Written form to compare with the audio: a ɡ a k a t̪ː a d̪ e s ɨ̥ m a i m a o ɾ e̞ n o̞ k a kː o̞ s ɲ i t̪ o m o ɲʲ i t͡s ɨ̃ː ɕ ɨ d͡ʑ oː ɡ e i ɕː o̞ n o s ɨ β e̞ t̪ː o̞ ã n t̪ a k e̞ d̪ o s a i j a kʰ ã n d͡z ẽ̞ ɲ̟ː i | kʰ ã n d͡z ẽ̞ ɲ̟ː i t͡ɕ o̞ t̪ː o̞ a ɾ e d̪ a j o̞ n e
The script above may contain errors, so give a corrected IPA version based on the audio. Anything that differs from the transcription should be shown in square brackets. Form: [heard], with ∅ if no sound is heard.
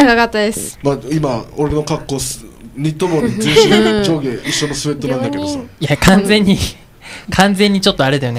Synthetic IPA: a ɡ a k a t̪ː a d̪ e s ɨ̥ m a i m a o ɾ e̞ n o̞ k a kː o̞ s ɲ i t̪ o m o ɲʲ i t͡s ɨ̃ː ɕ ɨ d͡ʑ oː ɡ e i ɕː o̞ n o s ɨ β e̞ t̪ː o̞ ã n [d̪] a k e̞ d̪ o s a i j a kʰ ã n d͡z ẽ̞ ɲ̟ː i | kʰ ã n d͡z ẽ̞ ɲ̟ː i t͡ɕ o̞ t̪ː o̞ a ɾ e d̪ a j o̞ n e